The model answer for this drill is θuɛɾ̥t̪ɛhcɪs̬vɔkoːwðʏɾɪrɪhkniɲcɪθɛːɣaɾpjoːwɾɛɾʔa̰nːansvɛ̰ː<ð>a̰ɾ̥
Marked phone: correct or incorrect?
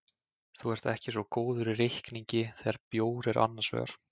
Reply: incorrect